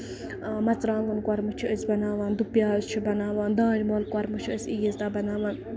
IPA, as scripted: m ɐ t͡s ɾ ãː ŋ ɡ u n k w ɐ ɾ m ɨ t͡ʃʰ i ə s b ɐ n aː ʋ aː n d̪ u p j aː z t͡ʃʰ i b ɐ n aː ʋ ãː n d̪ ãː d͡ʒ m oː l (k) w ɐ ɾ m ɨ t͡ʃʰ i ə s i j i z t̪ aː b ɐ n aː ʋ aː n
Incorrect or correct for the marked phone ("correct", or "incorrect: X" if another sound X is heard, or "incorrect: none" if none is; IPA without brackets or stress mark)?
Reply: correct